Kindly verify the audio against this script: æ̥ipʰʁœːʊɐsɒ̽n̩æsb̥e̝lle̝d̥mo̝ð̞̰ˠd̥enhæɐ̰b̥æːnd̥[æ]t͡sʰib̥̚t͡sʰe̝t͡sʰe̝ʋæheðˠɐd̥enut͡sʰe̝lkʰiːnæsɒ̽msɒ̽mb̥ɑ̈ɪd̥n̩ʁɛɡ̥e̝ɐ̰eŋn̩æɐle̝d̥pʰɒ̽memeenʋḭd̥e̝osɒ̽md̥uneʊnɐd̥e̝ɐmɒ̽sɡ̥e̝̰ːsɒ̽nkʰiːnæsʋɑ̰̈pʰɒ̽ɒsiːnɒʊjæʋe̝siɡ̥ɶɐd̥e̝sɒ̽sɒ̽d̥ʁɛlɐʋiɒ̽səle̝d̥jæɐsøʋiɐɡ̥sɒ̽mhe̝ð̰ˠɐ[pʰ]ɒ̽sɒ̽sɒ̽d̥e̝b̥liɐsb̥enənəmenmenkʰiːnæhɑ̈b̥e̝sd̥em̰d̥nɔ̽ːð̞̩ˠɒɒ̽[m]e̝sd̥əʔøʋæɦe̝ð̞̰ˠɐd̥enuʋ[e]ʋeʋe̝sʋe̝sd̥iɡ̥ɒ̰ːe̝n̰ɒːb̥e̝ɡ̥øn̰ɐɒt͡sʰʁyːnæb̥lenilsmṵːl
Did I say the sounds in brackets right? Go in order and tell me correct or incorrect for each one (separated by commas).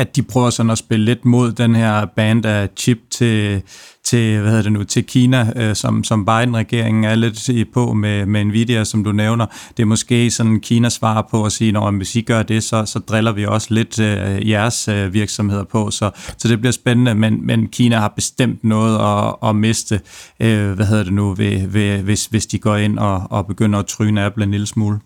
correct, correct, correct, correct